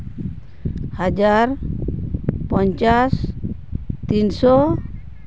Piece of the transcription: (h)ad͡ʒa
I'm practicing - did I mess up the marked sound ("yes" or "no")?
no